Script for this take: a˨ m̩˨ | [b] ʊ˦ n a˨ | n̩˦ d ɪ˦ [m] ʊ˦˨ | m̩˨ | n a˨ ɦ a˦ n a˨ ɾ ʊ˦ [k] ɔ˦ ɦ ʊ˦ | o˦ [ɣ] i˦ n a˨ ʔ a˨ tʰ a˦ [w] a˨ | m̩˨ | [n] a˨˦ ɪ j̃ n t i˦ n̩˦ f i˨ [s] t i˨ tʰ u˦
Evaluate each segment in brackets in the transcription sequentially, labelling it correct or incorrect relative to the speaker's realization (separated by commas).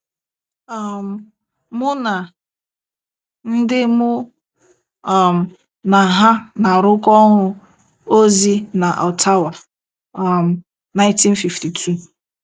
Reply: incorrect, correct, correct, incorrect, correct, correct, incorrect